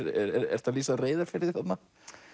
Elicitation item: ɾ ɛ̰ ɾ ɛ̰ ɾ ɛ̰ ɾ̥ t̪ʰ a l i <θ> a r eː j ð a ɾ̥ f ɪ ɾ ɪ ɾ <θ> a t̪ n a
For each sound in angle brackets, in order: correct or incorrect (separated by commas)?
incorrect, correct